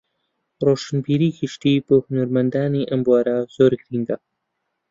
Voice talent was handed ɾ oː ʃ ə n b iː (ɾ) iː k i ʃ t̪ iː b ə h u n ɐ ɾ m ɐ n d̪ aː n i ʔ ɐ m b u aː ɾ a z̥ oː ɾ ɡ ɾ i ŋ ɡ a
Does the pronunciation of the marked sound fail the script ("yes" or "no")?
no